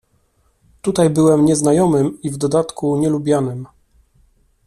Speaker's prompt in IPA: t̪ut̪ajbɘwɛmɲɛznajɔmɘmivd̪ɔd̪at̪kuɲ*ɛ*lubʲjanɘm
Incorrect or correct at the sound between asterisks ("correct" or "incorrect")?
correct